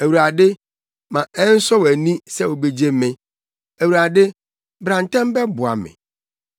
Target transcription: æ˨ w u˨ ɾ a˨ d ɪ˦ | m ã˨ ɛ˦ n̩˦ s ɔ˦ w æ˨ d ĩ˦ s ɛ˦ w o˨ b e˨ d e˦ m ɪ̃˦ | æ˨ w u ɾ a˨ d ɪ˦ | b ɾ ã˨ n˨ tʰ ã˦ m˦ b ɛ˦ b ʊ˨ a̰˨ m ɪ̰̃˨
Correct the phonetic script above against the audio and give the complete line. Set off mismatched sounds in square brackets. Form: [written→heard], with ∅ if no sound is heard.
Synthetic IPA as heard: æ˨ w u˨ ɾ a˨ d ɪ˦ | m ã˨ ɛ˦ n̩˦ s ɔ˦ w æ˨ [d→n] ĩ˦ s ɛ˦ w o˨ b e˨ [d→d͡ʑ] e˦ m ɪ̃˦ | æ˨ w u ɾ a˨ d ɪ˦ | b ɾ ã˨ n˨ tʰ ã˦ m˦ b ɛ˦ b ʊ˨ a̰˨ m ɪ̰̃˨